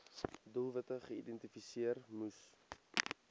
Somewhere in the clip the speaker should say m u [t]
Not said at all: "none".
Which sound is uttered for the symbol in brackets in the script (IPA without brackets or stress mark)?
s